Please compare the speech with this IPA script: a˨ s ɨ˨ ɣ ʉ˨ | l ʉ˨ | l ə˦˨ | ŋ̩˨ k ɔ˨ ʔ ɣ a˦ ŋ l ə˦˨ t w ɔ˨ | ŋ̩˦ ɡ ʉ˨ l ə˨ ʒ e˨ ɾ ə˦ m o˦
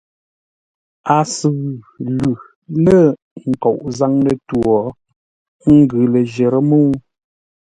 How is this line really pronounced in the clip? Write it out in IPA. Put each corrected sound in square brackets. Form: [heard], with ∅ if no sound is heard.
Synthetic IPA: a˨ s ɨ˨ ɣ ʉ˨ | l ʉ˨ | l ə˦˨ | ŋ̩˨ k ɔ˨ ʔ [z] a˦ ŋ l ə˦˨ t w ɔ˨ | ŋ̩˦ ɡ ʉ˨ l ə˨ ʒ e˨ ɾ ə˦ m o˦

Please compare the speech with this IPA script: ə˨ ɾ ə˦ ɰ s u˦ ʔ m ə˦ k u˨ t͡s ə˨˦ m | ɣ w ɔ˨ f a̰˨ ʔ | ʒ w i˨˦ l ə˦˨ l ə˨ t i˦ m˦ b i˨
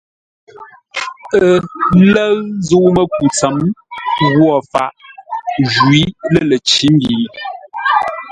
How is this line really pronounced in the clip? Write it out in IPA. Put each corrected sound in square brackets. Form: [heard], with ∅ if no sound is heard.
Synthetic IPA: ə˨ [l] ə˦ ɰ [z] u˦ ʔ m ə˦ k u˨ t͡s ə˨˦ m | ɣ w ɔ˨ f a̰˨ ʔ | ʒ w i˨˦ l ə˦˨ l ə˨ [t͡ʃ] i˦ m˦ b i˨

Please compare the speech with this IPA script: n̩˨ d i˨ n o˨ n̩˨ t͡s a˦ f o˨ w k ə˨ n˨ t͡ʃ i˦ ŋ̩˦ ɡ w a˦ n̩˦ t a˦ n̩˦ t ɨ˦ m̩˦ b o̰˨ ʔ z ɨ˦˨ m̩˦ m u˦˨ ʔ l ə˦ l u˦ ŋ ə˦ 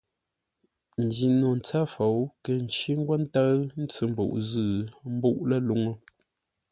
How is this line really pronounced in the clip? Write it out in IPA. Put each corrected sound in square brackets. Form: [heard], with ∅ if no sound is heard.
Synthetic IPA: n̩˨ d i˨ n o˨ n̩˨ t͡s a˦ f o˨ w k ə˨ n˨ t͡ʃ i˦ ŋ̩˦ ɡ w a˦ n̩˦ t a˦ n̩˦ [t͡s] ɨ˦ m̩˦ b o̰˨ ʔ z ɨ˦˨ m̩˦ [b] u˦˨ ʔ l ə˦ l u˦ ŋ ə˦

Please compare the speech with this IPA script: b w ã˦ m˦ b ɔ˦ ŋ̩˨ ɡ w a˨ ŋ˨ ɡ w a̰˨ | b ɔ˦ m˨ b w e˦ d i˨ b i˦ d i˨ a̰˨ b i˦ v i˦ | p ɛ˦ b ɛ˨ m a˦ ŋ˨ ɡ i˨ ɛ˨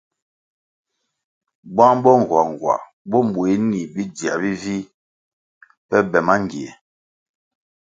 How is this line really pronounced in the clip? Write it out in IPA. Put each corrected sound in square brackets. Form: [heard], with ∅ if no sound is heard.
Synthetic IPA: b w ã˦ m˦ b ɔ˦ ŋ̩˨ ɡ w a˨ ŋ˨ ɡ w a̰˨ | b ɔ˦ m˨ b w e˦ [n] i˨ b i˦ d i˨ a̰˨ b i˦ v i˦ | p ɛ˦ b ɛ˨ m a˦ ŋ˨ ɡ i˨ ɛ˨

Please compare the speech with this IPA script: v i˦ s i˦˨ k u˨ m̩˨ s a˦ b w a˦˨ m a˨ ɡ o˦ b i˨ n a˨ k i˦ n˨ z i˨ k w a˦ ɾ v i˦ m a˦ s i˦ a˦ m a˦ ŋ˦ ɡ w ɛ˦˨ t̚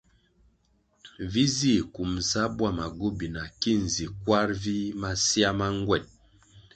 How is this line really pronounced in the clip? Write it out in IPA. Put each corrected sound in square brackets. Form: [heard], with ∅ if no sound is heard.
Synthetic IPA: v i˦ [z] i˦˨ k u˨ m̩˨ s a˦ b w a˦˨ m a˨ ɡ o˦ b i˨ n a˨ k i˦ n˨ z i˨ k w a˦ ɾ v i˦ m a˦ s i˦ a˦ m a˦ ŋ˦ ɡ w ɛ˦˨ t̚

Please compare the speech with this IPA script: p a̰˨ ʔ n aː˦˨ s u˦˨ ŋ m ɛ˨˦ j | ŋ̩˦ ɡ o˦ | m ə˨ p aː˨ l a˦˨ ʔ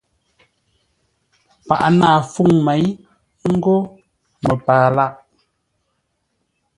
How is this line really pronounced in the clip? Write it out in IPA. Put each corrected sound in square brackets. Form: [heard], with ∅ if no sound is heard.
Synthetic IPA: p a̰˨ ʔ n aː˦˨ [f] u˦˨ ŋ m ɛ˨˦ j | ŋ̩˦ ɡ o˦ | m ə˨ p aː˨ l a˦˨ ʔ

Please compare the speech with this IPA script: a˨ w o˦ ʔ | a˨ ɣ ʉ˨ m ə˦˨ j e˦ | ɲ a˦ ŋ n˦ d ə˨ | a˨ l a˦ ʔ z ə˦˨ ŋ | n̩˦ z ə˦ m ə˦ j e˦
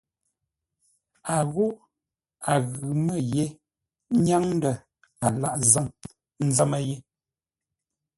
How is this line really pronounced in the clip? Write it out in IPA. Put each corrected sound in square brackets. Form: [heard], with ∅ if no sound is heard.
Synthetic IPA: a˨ [ɣ] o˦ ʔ | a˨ ɣ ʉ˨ m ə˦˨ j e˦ | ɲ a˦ ŋ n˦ d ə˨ | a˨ l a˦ ʔ z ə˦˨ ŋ | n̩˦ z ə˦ m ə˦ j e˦

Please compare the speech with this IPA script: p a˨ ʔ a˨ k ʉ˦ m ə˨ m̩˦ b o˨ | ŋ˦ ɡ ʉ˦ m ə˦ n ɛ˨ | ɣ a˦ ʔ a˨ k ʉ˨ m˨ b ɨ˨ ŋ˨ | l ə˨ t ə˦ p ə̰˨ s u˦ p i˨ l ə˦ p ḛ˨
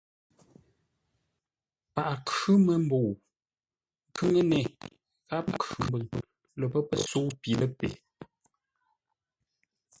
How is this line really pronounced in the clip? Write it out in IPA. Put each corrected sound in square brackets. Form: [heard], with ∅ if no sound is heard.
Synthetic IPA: p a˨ ʔ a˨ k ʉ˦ m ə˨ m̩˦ b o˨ | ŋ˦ [k] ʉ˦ [ŋ] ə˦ n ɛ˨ | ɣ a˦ [p] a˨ k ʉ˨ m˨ b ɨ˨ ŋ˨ | l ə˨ [p] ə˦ p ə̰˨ s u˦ p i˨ l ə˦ p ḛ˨

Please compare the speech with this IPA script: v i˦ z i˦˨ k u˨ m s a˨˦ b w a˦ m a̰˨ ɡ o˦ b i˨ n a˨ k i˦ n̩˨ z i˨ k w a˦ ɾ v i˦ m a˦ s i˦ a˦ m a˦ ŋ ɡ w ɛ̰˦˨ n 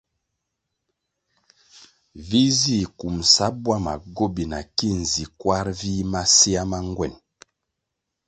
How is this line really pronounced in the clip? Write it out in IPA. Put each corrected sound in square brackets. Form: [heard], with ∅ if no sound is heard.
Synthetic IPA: v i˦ z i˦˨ k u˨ m s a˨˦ b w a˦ m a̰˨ ɡ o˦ b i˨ n a˨ k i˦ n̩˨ z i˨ k w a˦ ɾ v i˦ m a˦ s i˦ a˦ m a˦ ŋ ɡ w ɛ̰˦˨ n

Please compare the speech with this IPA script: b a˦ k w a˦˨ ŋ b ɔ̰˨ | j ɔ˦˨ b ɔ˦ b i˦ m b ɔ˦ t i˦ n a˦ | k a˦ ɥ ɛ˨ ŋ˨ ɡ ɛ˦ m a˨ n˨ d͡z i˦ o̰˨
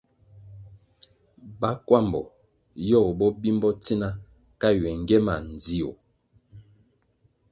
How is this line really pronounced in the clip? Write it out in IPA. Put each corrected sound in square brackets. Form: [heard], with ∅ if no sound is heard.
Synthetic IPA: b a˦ k w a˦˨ [m] b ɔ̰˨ | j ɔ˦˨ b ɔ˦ b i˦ m b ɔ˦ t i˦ n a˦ | k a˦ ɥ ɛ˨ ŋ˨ ɡ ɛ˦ m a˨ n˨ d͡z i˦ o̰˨

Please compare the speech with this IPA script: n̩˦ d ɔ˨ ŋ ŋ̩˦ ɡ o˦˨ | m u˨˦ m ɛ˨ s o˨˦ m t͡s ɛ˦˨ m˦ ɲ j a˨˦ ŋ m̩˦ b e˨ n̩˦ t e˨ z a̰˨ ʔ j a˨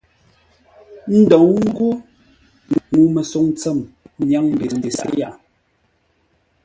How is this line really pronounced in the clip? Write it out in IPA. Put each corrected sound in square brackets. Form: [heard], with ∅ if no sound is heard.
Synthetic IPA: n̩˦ d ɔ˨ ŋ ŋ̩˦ ɡ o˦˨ | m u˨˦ m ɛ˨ s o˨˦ [ŋ] t͡s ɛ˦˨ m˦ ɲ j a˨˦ ŋ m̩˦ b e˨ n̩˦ [d] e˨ [s] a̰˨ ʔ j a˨

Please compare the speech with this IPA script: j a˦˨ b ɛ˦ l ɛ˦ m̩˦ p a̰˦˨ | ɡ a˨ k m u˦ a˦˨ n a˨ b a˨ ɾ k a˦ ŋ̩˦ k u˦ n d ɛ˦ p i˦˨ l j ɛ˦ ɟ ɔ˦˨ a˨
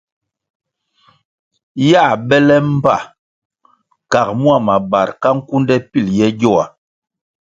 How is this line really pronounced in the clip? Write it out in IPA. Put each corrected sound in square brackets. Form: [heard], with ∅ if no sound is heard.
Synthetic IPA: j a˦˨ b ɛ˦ l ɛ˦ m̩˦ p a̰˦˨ | [k] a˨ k m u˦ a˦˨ [m] a˨ b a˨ ɾ k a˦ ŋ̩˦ k u˦ n d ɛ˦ p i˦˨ l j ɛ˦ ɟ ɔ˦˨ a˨

